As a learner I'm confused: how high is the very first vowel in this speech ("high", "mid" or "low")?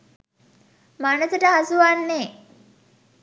low